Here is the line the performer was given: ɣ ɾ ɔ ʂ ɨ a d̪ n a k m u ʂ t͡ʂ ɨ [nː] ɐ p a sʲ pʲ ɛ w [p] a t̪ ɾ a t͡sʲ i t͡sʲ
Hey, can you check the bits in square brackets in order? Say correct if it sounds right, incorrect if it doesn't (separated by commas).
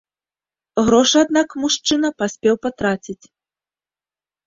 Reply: incorrect, correct